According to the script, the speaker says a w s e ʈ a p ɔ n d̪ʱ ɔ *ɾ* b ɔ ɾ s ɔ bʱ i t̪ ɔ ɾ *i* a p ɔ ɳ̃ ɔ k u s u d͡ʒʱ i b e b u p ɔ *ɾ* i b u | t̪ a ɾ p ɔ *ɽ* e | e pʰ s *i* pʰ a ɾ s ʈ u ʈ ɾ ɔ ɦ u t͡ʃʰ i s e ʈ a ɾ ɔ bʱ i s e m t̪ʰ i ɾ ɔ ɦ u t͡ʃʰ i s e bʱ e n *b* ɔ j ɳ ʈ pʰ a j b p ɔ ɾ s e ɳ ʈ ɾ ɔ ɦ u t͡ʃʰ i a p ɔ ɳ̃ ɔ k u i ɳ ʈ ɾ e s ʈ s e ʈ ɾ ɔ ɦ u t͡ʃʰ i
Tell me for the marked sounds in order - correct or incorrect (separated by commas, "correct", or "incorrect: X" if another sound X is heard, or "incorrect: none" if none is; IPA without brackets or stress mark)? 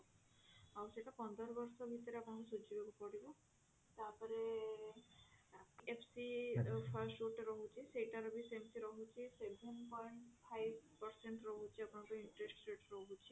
correct, incorrect: e, incorrect: ɽ, incorrect: ɾ, correct, incorrect: p